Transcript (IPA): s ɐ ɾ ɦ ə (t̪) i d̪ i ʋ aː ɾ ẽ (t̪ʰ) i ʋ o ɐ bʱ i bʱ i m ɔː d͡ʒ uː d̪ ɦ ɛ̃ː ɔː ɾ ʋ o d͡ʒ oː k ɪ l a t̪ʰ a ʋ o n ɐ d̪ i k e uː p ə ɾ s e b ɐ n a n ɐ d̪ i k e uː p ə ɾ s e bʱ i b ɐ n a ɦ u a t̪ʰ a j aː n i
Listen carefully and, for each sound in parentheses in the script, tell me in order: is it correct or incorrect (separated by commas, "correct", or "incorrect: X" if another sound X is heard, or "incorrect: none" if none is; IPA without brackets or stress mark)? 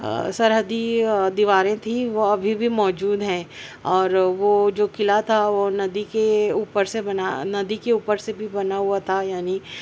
incorrect: d̪, correct